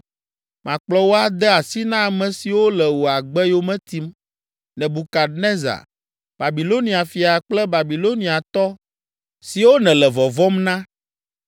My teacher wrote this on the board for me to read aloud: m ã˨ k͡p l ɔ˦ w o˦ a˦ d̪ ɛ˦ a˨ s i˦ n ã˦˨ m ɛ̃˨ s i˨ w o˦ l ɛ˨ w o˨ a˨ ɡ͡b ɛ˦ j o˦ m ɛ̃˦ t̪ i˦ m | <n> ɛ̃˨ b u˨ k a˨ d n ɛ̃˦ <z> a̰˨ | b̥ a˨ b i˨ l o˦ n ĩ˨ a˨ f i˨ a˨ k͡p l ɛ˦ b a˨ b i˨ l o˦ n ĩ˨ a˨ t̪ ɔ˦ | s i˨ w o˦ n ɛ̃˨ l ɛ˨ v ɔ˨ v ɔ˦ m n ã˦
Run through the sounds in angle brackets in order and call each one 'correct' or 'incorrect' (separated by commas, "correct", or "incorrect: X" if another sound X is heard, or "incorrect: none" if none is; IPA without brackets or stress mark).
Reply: correct, correct